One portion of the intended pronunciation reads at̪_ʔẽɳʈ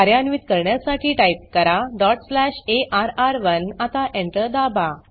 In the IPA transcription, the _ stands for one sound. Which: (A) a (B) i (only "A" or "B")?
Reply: A